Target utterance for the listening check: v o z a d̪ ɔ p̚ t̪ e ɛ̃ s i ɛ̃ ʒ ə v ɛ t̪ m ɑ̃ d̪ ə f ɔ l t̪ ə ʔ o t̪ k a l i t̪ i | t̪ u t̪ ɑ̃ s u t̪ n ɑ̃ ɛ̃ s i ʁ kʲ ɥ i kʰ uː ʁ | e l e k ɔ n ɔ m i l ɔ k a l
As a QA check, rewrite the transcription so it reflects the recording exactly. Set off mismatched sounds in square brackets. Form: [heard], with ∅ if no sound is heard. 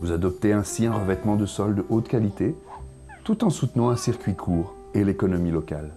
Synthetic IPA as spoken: v [u] z a d̪ ɔ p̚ t̪ e ɛ̃ s i ɛ̃ [ʁ] ə v ɛ t̪ m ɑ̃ d̪ ə [s] ɔ l [d̪] ə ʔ o t̪ k a l i t̪ [e] | t̪ u t̪ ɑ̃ s u t̪ n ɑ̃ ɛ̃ s i ʁ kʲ ɥ i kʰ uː ʁ | e l e k ɔ n ɔ m i l ɔ k a l